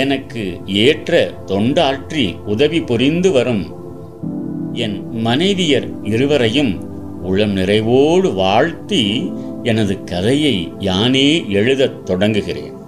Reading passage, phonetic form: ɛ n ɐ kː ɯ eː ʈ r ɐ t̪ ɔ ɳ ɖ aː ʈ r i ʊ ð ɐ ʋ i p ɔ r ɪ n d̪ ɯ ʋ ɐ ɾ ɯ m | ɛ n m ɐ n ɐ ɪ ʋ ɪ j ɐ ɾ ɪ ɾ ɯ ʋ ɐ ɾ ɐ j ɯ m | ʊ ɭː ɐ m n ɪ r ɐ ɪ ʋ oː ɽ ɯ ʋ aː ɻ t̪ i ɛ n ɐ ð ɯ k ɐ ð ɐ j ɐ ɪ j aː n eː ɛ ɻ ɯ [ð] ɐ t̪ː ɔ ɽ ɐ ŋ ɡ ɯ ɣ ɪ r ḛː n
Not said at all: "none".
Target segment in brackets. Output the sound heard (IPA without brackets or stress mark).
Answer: ð